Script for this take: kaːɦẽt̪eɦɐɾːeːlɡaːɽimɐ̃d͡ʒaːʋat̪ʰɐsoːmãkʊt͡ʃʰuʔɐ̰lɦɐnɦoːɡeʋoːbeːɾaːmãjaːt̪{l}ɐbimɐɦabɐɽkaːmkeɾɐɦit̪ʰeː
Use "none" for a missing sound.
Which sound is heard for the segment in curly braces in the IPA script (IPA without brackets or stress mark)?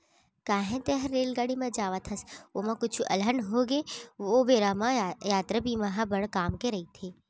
ɾ